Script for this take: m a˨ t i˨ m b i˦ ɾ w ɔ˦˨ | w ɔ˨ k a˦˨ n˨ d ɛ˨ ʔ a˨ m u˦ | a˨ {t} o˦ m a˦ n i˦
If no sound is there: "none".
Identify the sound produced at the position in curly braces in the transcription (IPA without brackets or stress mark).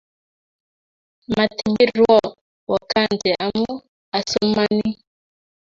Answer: s